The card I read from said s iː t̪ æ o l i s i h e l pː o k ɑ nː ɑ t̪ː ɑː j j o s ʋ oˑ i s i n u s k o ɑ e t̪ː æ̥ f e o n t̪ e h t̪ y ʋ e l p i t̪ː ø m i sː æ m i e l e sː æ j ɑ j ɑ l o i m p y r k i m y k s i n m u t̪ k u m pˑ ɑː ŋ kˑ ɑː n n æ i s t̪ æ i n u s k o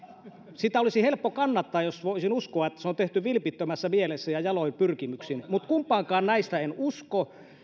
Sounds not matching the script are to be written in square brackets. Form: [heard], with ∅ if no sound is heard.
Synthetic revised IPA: s [i] t̪ æ o l i s i h e l pː o k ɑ nː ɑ t̪ː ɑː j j o s ʋ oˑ i s i n u s k o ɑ e t̪ː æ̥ [s] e o n t̪ e h t̪ y ʋ [i] l p i t̪ː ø m [æ] sː æ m i e l e sː æ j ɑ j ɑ l o i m p y r k i m y k s i n m u t̪ k u m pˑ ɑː ŋ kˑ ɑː n n æ i s t̪ æ [e] n u s k o